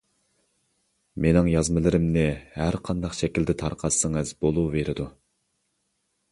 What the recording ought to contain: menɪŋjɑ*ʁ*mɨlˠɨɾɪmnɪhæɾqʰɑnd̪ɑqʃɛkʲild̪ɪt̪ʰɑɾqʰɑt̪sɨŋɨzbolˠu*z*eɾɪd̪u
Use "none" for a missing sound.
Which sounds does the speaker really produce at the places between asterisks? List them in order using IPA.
z, v

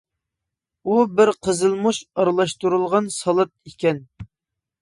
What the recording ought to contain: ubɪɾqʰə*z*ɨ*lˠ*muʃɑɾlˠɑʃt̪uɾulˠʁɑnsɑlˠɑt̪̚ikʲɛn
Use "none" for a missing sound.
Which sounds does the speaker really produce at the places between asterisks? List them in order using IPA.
z, lˠ

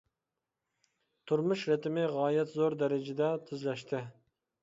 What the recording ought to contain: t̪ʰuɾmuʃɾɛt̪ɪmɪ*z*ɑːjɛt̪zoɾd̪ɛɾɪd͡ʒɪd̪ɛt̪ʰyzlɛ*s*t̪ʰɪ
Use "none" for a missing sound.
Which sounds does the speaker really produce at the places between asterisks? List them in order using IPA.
ʁ, ʃ

